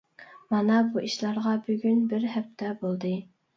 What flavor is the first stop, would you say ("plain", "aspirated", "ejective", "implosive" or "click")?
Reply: plain